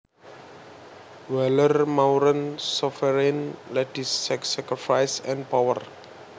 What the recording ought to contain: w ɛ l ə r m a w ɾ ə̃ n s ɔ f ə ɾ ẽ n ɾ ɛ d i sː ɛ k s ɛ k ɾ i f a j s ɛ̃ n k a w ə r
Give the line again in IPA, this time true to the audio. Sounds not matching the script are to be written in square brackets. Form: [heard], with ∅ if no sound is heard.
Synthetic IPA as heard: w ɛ l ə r m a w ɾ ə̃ n s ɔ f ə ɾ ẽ n [l] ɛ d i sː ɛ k s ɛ k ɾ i f a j s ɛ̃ n [p] a w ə r